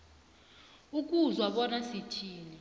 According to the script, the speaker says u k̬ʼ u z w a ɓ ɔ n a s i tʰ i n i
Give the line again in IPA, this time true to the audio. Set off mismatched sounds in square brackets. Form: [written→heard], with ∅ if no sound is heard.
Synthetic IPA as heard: u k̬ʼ u z w a ɓ ɔ n a s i tʰ [i→iː] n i